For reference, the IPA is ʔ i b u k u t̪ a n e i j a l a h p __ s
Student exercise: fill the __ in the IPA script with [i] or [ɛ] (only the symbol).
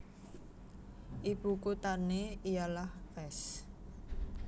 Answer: ɛ